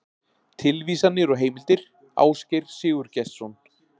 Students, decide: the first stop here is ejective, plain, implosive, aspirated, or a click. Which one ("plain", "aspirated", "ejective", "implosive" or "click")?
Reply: aspirated